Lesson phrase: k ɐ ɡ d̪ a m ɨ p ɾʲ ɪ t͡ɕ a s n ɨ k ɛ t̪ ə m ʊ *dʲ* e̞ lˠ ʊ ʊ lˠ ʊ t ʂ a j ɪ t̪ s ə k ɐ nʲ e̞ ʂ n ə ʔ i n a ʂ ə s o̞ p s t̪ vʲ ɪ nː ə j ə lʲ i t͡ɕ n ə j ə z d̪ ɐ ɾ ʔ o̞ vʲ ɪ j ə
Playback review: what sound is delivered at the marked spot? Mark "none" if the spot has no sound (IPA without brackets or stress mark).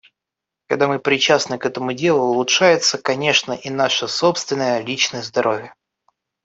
dʲ